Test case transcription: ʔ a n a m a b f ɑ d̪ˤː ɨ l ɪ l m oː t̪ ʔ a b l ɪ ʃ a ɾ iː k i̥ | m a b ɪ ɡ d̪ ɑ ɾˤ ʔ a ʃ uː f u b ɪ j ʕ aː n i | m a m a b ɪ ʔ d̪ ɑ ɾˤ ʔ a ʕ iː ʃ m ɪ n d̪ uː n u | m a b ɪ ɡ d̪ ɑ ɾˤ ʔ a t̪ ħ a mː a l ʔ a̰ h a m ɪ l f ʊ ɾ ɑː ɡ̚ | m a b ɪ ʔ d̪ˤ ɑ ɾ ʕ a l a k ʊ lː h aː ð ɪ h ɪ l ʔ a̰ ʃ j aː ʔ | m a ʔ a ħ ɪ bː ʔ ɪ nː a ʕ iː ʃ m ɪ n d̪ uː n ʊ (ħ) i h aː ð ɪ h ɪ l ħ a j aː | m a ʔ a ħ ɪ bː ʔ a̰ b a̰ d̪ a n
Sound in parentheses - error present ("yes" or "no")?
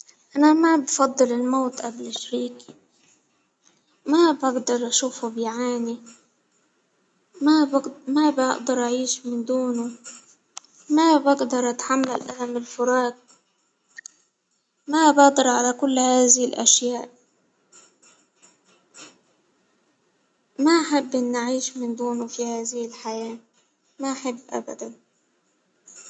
yes